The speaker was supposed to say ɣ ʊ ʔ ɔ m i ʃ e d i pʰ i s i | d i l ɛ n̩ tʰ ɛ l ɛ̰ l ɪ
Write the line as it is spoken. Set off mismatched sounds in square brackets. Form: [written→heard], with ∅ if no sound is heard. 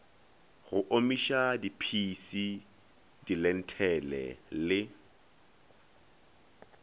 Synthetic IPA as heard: ɣ ʊ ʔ [ɔ→o] m i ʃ [e→a] d i pʰ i s i | d i l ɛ n̩ tʰ ɛ l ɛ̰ l ɪ